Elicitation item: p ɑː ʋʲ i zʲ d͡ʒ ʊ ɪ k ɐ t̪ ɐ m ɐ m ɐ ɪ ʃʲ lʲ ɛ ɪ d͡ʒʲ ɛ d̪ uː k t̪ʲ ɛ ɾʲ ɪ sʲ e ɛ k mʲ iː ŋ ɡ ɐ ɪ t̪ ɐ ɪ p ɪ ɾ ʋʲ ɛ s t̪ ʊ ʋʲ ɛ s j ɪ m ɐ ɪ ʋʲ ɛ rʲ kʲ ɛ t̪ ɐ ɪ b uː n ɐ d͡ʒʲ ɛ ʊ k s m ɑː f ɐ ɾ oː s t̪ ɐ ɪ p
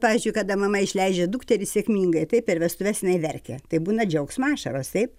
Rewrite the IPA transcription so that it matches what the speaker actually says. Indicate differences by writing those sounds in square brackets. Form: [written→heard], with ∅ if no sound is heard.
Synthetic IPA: p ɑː ʋʲ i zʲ d͡ʒ ʊ ɪ k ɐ [t̪→d̪] ɐ m ɐ m ɐ ɪ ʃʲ lʲ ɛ ɪ d͡ʒʲ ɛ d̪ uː k t̪ʲ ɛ ɾʲ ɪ sʲ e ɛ k mʲ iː ŋ ɡ ɐ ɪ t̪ ɐ ɪ p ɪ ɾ ʋʲ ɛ s t̪ ʊ ʋʲ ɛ s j ɪ [m→n] ɐ ɪ ʋʲ ɛ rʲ kʲ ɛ t̪ ɐ ɪ b uː n ɐ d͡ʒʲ ɛ ʊ k s m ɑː [f→ʃ] ɐ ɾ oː s t̪ ɐ ɪ p